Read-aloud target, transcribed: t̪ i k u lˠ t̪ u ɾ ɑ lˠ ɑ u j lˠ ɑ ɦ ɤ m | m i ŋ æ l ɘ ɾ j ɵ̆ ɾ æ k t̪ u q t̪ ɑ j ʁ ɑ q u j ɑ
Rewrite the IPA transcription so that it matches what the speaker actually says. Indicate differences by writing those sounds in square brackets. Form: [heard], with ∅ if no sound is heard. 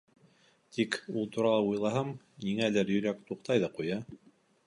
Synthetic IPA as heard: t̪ i k u lˠ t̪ u ɾ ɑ lˠ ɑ u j lˠ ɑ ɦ ɤ m | [n] i ŋ æ l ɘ ɾ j ɵ̆ ɾ æ k t̪ u q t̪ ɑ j [ð] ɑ q u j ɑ